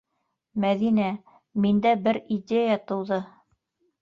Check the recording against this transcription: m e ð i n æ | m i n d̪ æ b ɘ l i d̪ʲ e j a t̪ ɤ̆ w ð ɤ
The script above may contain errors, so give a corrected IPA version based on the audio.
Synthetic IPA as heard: m æ ð i n æ | m i n d̪ æ b ɘ ɾ i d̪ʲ e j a t̪ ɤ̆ w ð ɤ